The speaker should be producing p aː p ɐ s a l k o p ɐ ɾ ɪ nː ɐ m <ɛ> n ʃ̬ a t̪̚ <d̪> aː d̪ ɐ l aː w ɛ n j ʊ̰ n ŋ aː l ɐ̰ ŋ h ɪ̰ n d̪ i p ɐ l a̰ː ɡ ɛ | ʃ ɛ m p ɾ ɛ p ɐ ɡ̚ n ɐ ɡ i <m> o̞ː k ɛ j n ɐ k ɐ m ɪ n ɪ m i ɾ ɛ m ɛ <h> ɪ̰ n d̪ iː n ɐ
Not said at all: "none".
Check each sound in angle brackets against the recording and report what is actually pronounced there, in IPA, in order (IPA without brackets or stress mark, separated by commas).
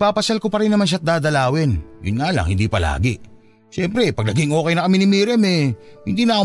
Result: a, d̪, ŋ, h